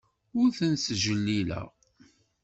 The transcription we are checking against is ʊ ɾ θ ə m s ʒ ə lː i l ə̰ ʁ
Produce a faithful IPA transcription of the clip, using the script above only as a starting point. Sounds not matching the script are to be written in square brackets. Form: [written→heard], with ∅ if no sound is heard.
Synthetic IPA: ʊ ɾ θ ə [m→n] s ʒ ə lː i l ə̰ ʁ

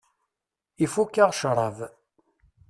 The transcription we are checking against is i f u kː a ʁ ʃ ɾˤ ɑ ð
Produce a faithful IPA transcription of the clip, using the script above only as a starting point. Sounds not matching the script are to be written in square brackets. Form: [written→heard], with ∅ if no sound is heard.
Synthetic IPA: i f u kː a ʁ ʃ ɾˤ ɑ [ð→v]

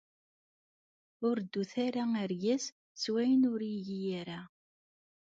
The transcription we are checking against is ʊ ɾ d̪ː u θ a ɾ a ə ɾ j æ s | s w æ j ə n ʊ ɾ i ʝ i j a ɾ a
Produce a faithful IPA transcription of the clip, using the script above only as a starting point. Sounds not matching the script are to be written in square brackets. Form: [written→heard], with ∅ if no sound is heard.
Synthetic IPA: ʊ ɾ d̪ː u θ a ɾ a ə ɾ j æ s | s w æ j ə n ʊ ɾ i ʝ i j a ɾ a

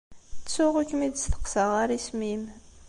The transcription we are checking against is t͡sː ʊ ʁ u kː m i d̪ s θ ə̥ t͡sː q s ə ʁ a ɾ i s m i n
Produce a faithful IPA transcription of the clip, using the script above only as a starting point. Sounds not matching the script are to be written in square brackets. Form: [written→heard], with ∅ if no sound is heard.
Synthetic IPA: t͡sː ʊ ʁ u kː m i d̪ s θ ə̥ [t͡sː→∅] q s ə ʁ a ɾ i s m i [n→m]

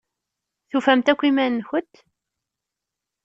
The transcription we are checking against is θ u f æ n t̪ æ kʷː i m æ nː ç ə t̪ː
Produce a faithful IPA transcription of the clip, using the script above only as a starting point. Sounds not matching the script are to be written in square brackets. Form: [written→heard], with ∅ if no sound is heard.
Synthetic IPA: θ u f æ [n→m] t̪ æ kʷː i m æ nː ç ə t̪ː

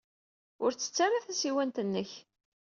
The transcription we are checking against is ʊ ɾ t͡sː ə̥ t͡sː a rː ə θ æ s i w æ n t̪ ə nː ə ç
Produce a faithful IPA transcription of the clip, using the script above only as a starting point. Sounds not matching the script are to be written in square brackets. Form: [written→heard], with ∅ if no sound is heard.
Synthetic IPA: ʊ ɾ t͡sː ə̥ t͡sː a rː [ə→a] θ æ s i w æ n t̪ ə nː ə ç

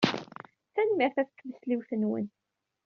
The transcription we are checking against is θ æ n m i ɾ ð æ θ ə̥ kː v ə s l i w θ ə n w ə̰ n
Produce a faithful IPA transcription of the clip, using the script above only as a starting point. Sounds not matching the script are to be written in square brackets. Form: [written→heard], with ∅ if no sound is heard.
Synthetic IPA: θ æ n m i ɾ [ð→θ] æ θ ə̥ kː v ə s l i w θ ə n w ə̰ n

